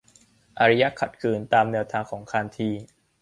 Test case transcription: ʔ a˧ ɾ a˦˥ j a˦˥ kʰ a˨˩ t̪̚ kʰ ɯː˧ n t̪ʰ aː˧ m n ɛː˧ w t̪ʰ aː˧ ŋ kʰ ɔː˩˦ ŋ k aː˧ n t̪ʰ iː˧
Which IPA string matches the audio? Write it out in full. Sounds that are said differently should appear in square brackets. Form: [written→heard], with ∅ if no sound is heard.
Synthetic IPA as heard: ʔ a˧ ɾ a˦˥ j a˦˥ kʰ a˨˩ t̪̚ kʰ ɯː˧ n [t̪ʰ→t̪] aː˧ m n ɛː˧ w t̪ʰ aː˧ ŋ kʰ ɔː˩˦ ŋ [k→kʰ] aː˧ n t̪ʰ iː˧